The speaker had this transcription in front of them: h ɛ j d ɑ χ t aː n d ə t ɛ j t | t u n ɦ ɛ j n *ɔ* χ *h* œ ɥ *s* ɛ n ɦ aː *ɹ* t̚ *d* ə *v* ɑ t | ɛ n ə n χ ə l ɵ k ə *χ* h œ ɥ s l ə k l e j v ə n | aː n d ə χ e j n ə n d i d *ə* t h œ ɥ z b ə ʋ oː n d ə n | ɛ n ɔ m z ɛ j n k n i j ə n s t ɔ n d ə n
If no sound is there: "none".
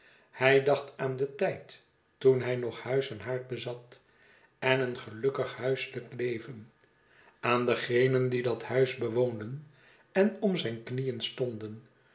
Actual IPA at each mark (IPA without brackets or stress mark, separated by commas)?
ɔ, h, s, ɹ, b, z, χ, ɑ